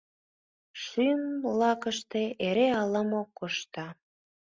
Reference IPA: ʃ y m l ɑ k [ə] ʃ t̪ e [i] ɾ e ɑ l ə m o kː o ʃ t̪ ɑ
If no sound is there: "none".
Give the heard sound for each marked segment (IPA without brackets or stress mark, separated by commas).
ə, e